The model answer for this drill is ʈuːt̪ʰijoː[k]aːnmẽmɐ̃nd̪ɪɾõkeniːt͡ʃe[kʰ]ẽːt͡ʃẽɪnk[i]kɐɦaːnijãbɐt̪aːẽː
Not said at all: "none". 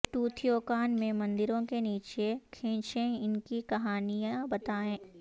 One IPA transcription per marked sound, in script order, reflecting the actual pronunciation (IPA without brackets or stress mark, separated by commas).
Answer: k, kʰ, i